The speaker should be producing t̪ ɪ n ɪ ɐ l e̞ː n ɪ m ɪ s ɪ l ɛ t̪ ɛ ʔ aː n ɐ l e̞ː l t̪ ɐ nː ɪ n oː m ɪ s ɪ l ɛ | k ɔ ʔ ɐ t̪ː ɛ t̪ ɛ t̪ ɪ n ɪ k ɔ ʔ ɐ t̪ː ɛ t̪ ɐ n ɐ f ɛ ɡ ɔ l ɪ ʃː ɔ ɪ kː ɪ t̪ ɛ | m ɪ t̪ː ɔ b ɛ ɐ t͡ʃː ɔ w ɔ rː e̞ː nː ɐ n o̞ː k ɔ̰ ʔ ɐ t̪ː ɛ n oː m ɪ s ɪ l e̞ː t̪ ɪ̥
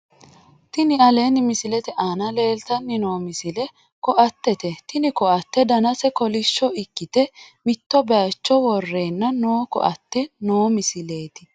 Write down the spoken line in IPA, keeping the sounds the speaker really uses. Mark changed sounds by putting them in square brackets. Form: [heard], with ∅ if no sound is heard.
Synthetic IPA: t̪ ɪ n ɪ ɐ l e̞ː n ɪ m ɪ s ɪ l ɛ t̪ ɛ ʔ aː n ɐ l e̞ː l t̪ ɐ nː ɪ n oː m ɪ s ɪ l ɛ | k ɔ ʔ ɐ t̪ː ɛ t̪ ɛ t̪ ɪ n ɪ k ɔ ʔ ɐ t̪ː ɛ [d̪] ɐ n ɐ [s] ɛ [k] ɔ l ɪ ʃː ɔ ɪ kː ɪ t̪ ɛ | m ɪ t̪ː ɔ b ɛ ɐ t͡ʃː ɔ w ɔ rː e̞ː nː ɐ n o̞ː k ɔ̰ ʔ ɐ t̪ː ɛ n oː m ɪ s ɪ l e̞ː t̪ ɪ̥